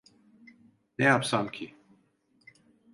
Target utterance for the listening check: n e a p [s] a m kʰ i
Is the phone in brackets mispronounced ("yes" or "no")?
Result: no